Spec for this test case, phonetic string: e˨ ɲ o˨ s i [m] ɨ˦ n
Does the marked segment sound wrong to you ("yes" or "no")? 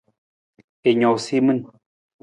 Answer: no